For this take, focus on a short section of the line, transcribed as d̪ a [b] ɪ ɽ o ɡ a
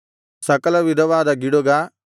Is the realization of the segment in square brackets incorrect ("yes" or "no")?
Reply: yes